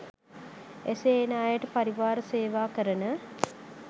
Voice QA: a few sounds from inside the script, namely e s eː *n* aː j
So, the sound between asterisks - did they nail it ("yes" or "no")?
yes